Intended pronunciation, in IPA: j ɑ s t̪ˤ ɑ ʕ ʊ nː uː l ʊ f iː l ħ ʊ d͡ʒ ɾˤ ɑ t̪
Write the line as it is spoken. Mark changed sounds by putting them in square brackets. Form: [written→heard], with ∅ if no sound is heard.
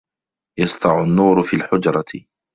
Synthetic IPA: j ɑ s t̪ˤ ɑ ʕ ʊ nː uː [l→ɾ] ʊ f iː l ħ ʊ d͡ʒ ɾˤ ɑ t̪

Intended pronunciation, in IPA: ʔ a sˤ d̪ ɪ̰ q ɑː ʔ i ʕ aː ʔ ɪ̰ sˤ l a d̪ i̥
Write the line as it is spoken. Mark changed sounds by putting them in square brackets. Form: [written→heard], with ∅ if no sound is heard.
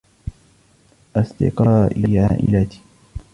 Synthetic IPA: ʔ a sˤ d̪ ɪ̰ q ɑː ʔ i ʕ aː ʔ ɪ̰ [sˤ→∅] l a [d̪→t̪] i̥

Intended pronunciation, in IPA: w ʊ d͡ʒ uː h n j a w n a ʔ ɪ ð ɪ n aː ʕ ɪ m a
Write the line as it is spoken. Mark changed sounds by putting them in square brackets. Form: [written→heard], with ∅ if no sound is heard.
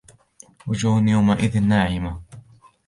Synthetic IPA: w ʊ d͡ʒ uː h n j a w [n→m] a ʔ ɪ ð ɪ [n→nː] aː ʕ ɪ m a

